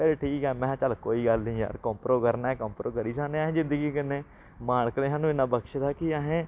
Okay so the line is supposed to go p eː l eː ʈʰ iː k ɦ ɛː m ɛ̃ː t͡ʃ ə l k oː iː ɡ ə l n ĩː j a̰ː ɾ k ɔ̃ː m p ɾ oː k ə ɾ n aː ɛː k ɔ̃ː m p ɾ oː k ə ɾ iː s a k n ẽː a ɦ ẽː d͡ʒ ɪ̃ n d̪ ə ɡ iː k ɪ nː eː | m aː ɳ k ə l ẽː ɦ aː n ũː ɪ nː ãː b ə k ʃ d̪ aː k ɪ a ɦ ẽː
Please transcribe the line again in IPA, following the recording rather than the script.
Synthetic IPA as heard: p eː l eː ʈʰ iː k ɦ ɛː m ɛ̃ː t͡ʃ ə l k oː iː ɡ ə l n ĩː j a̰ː ɾ k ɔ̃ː m p ɾ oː k ə ɾ n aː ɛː k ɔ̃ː m p ɾ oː k ə ɾ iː s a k n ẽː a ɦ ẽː d͡ʒ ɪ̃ n d̪ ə ɡ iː k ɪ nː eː | m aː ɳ k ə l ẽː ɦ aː n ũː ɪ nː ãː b ə k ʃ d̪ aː k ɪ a ɦ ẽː